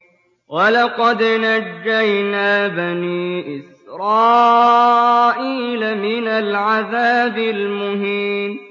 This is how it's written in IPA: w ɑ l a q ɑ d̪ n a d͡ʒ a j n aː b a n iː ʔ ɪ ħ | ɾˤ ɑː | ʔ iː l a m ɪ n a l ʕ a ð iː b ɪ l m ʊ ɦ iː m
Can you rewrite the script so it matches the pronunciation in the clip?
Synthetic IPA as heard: w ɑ l ɑ q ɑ d̪ n a d͡ʒː a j n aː b a n iː ʔ ɪ s | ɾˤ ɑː | ʔ iː l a m ɪ n a l ʕ a ð aː b ɪ l m ʊ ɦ iː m

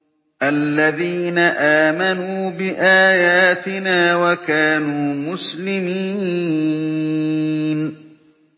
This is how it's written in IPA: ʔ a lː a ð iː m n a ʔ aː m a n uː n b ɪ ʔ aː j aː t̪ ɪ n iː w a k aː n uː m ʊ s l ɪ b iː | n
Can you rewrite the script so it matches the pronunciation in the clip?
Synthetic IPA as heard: ʔ a lː a ð iː n a ʔ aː m a n uː b ɪ ʔ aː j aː t̪ ɪ n aː w a k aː n uː m ʊ s l ɪ m iː | n

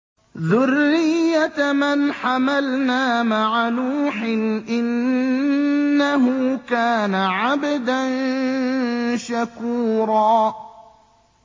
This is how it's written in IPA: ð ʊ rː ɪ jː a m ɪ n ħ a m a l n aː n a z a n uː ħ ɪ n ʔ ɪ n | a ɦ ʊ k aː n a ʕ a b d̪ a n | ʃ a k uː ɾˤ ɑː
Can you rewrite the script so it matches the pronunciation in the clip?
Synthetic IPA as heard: ð ʊ rː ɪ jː a m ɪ n ħ a m a l n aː m a ʕ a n uː ħ ɪ n ʔ ɪ n | a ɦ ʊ k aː n a ʕ a b d̪ a n | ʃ a k uː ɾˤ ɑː

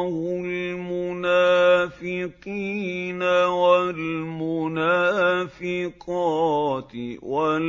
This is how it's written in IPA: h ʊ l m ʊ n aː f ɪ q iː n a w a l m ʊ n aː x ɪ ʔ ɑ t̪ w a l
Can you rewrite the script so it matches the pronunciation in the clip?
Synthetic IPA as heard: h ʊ l m ʊ n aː f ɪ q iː n a w a l m ʊ n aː f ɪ q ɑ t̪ w a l

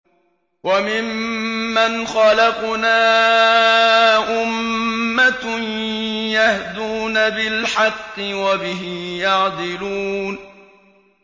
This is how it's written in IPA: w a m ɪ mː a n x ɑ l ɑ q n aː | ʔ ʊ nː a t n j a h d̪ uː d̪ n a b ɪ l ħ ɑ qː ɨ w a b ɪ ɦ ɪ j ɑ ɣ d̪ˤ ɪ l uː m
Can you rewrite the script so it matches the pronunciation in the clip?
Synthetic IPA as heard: w a m ɪ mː a n x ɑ l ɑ q n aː | ʔ ʊ mː a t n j a h d̪ uː n a b ɪ l ħ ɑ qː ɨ w a b ɪ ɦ ɪ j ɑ ʕ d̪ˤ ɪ l uː n

